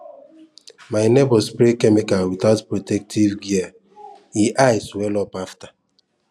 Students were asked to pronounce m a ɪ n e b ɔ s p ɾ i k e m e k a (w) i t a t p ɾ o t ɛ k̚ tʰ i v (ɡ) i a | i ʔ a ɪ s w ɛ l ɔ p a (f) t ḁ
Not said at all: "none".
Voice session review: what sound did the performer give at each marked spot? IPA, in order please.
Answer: w, ɡ, f

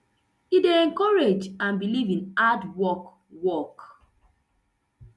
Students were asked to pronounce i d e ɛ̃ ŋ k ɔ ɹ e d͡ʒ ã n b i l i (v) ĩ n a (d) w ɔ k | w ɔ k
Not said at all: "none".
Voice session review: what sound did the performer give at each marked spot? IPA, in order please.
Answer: v, d

